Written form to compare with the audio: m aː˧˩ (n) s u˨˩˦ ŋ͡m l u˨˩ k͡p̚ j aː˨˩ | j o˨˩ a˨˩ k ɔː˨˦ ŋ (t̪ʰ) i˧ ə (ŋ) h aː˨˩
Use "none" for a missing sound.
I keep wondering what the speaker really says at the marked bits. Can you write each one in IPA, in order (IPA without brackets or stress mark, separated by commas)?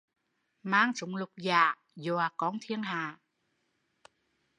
ŋ, t̪ʰ, ŋ